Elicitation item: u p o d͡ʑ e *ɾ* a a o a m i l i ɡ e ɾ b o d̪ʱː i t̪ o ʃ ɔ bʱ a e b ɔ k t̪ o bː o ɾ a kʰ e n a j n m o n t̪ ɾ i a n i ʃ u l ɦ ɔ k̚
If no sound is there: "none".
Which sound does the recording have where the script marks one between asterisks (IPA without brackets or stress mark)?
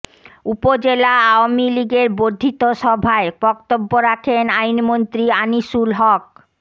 l